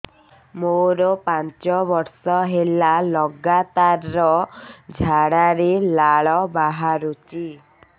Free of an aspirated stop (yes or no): yes